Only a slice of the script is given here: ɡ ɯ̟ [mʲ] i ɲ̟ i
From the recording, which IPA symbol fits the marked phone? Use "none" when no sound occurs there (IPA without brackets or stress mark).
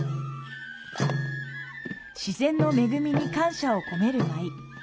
mʲ